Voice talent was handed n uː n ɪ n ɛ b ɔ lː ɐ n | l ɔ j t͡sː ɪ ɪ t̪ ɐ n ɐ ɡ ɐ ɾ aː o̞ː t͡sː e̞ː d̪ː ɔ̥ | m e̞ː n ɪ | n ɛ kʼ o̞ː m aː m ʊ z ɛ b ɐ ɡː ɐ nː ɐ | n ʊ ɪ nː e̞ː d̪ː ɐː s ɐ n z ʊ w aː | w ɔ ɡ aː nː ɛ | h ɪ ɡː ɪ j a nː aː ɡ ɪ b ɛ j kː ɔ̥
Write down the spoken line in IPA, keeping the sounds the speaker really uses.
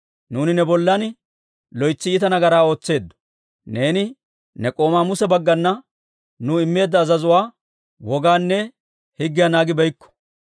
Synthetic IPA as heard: n uː n ɪ n ɛ b ɔ lː ɐ n | l ɔ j t͡sː ɪ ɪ t̪ ɐ n ɐ ɡ ɐ ɾ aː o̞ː t͡sː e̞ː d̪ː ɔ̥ | n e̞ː n ɪ | n ɛ kʼ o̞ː m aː m ʊ s ɛ b ɐ ɡː ɐ nː ɐ | n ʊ ɪ mː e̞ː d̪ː ɐː z ɐ z ʊ w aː | w ɔ ɡ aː nː ɛ | h ɪ ɡː ɪ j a n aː ɡ ɪ b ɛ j kː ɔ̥